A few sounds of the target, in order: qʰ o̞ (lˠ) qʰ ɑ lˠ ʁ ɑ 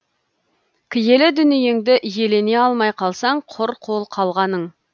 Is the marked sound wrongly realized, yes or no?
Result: no